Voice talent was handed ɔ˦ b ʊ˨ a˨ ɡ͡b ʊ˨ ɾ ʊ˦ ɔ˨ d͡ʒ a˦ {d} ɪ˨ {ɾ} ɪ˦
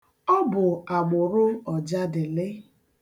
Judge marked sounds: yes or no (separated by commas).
yes, no